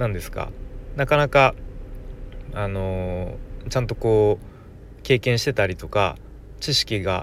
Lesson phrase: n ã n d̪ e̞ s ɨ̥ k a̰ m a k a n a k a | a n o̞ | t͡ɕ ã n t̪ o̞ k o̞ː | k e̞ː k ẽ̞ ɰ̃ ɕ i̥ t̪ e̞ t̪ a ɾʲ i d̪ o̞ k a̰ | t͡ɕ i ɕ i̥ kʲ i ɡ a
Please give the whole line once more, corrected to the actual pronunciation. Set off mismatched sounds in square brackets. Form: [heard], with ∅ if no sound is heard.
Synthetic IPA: n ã n d̪ e̞ s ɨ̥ k a̰ [n] a k a n a k a | a n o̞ | t͡ɕ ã n t̪ o̞ k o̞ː | k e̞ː k ẽ̞ ɰ̃ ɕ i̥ t̪ e̞ t̪ a ɾʲ i [t̪] o̞ k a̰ | t͡ɕ i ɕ i̥ kʲ i ɡ a